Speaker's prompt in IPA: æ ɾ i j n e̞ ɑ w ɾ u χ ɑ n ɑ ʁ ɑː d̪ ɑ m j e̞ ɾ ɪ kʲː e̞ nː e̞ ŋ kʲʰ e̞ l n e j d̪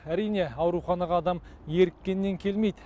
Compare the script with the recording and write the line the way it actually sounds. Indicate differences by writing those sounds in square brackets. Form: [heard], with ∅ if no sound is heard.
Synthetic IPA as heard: æ ɾ i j n e̞ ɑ w ɾ u χ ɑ n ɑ ʁ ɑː d̪ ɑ m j e̞ ɾ ɪ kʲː e̞ nː e̞ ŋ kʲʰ e̞ l [m] e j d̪